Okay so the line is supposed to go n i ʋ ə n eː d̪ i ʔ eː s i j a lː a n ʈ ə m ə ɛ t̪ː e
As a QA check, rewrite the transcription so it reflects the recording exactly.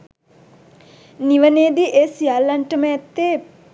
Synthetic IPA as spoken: n i ʋ ə n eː d̪ i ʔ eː s i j a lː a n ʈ ə m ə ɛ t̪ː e

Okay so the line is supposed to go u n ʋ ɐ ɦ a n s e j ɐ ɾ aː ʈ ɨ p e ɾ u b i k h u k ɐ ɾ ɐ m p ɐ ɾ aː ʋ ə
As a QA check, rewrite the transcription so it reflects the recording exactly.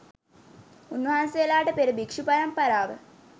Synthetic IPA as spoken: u n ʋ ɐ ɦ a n s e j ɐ l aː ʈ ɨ p e ɾ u b i k ʂ u p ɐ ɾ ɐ m p ɐ ɾ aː ʋ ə

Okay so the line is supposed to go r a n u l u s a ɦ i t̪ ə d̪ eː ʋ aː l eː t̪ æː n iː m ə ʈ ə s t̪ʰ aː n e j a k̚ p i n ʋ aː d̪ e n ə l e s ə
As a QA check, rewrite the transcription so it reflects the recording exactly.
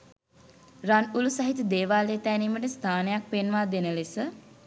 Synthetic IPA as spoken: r a n u l u s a ɦ i t̪ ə d̪ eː ʋ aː l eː t̪ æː n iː m ə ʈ ə s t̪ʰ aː n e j a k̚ p e n ʋ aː d̪ e n ə l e s ə

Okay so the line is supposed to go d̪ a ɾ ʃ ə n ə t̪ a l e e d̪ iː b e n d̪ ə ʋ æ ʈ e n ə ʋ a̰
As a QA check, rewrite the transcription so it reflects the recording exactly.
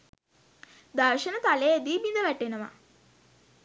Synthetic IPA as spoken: d̪ a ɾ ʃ ə n ə t̪ a l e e d̪ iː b i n d̪ ə ʋ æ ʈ e n ə ʋ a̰

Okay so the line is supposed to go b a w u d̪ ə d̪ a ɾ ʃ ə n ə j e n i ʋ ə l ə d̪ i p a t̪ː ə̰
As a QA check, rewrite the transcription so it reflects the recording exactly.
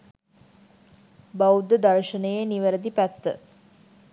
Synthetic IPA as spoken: b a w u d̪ ə d̪ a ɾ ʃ ə n ə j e n i ʋ ə ɾ ə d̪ i p æ t̪ː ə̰

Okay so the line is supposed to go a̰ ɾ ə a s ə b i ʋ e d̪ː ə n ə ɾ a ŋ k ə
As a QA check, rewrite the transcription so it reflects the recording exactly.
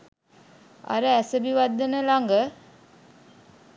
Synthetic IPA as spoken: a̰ ɾ ə æ s ə b i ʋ a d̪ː ə n ə l a ŋ ɡ ə

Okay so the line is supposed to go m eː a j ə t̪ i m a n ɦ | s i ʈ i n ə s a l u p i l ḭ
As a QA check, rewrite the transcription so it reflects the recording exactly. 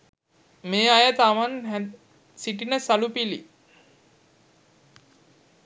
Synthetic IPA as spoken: m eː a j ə t̪ a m a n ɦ | s i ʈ i n ə s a l u p i l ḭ

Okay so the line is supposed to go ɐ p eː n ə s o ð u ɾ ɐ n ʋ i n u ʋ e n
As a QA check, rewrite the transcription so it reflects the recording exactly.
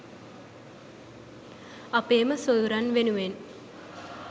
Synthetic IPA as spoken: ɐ p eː m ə s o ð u ɾ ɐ n ʋ e n u ʋ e n

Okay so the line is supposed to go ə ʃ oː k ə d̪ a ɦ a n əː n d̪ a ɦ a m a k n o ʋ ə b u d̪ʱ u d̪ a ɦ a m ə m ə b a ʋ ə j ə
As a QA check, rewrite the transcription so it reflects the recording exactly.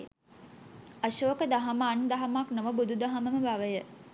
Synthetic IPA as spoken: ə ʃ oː k ə d̪ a ɦ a m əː n d̪ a ɦ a m a k n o ʋ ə b u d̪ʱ u d̪ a ɦ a m ə m ə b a ʋ ə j ə

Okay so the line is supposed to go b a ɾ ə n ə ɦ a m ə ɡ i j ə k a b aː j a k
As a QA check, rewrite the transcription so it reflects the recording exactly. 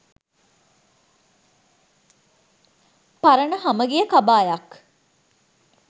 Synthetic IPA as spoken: p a ɾ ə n ə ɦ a m ə ɡ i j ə k a b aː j a k

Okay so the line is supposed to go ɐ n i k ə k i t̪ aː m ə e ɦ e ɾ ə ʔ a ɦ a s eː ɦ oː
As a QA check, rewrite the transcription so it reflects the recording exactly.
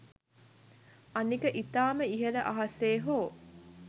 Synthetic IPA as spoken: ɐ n i k ə ʔ i t̪ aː m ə i ɦ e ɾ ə ʔ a ɦ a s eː ɦ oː

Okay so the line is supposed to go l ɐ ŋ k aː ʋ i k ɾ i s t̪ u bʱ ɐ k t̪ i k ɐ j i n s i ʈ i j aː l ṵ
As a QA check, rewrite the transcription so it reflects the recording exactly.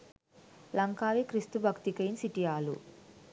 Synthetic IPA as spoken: l ɐ ŋ k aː ʋ i k ɾ i s t̪ u bʱ ɐ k t̪ i k ɐ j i n s i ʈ i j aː l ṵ

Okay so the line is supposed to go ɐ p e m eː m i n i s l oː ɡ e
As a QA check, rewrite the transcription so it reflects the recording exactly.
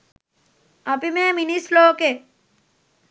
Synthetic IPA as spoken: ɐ p i m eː m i n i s l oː k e

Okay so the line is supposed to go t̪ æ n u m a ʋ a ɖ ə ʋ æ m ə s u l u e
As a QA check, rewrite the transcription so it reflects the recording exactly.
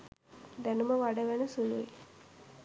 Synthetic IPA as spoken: d̪ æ n u m ə ʋ a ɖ ə ʋ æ n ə s u l u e

